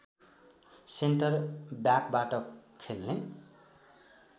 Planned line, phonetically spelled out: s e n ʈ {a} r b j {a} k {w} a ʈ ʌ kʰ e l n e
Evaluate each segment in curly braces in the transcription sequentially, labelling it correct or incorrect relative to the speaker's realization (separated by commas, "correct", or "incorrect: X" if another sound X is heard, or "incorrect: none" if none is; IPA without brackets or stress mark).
incorrect: ʌ, correct, incorrect: b